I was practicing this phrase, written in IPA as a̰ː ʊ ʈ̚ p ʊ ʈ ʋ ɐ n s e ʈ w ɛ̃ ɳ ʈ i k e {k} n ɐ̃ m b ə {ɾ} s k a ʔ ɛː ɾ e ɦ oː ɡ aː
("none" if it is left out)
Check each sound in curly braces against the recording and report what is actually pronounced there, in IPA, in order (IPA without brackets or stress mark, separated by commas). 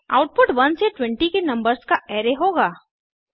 none, ɾ